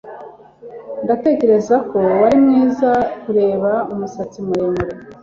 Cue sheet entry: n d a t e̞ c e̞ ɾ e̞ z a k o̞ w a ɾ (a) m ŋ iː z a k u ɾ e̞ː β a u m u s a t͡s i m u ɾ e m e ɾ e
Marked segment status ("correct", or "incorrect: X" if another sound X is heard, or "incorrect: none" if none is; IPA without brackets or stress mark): incorrect: i